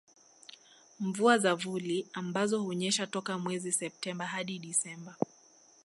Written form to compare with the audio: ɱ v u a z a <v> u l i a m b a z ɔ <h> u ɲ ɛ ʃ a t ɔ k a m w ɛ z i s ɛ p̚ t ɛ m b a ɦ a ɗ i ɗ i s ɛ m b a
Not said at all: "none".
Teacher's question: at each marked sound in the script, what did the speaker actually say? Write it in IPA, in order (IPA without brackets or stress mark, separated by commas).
v, h